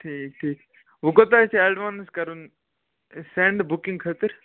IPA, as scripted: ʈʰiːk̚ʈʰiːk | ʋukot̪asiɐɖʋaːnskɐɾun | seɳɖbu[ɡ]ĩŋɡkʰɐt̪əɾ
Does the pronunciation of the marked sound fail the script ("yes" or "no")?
yes